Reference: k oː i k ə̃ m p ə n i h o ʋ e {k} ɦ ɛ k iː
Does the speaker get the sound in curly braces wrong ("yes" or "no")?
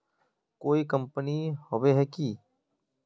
yes